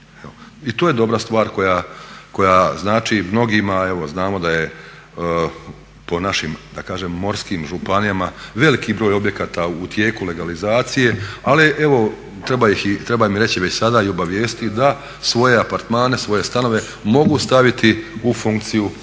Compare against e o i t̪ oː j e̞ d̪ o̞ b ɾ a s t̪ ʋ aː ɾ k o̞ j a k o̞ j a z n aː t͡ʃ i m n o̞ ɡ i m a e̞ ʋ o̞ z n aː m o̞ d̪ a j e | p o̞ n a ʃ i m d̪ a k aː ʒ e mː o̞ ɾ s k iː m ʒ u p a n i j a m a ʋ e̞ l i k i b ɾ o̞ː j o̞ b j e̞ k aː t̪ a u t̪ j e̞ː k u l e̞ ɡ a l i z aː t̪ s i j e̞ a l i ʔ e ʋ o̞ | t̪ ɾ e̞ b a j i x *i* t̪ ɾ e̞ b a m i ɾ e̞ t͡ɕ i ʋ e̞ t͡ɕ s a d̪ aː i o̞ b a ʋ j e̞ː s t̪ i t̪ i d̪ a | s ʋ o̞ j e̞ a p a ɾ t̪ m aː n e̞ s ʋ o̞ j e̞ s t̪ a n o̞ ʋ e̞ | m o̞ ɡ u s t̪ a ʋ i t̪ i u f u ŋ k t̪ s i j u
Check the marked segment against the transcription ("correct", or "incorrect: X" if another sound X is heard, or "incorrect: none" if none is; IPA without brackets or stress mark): correct